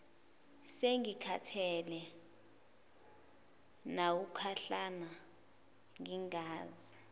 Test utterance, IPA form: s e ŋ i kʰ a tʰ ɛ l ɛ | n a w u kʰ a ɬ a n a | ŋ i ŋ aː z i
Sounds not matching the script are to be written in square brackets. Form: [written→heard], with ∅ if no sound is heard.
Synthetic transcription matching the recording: s e ŋ i kʰ a tʰ ɛ l ɛ | n a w u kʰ a ɬ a n a | ŋ i ŋ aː z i

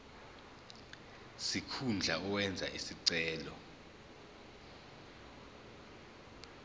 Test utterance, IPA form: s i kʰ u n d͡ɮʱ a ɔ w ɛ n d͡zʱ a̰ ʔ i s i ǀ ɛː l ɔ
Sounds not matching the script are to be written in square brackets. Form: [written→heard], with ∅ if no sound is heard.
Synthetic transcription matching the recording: s i kʰ u n d͡ɮʱ a ɔ w ɛ n d͡zʱ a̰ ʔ i s i ǀ ɛː l ɔ

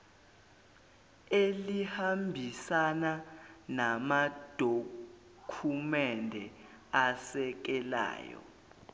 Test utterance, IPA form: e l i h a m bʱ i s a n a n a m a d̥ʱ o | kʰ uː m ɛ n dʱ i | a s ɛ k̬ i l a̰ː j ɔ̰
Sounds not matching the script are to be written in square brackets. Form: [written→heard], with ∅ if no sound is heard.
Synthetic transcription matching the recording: e l i h a m bʱ i s a n a n a m a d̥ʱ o | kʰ [uː→u] m ɛ n dʱ [i→ɛ] | a s ɛ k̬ [i→ɛ] l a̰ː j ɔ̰

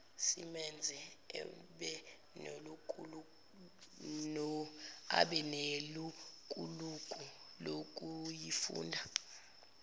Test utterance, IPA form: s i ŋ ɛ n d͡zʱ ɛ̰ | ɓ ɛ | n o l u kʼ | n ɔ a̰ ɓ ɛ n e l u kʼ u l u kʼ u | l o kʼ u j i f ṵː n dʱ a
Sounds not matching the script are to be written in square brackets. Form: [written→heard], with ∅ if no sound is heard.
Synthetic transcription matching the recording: s i [ŋ→m] ɛ n d͡zʱ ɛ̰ | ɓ ɛ | n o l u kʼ | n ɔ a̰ ɓ ɛ n e l u kʼ u l u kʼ u | l o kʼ u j i f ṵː n dʱ a

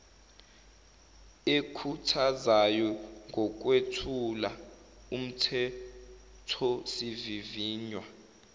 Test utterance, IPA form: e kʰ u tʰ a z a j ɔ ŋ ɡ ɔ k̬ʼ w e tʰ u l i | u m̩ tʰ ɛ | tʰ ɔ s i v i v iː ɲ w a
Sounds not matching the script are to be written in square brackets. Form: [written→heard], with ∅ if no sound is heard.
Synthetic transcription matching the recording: e kʰ u tʰ a z a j ɔ ŋ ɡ ɔ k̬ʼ w e tʰ u l [i→a] | u m̩ tʰ ɛ | tʰ ɔ s i v i v iː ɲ w a

